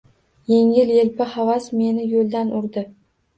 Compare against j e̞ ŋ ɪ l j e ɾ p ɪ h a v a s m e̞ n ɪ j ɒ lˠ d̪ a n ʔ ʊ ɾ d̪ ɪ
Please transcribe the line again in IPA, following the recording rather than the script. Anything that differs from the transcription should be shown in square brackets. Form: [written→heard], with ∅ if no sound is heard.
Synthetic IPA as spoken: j e̞ ŋ ɪ l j e [ɾ→l] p ɪ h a v a s m e̞ n ɪ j [ɒ→o] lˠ d̪ a n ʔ ʊ ɾ d̪ ɪ